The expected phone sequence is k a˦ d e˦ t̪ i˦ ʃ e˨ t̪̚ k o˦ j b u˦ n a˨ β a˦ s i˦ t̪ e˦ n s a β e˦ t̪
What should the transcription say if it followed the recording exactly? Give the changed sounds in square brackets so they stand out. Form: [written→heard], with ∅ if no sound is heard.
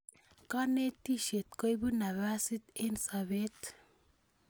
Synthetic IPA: k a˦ [d→n] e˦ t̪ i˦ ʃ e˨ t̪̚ k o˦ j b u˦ n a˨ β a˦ s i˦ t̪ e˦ n s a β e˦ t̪